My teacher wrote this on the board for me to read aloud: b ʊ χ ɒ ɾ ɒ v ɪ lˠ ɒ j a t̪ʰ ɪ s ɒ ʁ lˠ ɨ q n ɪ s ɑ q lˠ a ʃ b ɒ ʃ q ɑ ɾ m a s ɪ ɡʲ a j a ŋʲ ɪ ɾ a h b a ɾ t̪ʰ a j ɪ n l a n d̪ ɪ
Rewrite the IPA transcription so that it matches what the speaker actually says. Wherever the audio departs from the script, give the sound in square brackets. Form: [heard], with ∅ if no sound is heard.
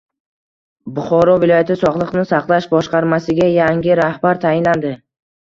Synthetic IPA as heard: b ʊ χ ɒ ɾ ɒ v ɪ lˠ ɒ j a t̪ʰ ɪ s ɒ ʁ lˠ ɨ q n ɪ s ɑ q lˠ a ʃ b ɒ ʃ q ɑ ɾ m a s ɪ ɡʲ a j a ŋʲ ɪ ɾ a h b a ɾ t̪ʰ a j ɪ n l a n d̪ ɪ